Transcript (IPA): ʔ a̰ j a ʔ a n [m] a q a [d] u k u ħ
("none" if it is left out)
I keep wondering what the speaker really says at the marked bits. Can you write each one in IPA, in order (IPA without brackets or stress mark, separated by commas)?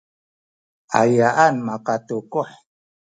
m, t